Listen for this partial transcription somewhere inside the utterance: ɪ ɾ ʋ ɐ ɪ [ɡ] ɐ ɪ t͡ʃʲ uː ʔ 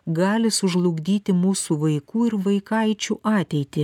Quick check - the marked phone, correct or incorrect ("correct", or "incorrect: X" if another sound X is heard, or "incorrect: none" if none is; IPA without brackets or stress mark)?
incorrect: k